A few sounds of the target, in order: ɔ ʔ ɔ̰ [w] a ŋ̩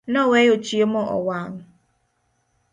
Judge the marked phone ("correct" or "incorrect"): correct